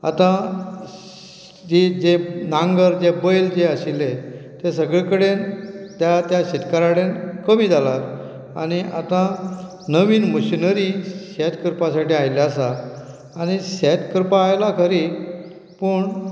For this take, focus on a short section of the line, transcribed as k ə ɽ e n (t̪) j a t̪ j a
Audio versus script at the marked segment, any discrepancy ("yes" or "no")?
no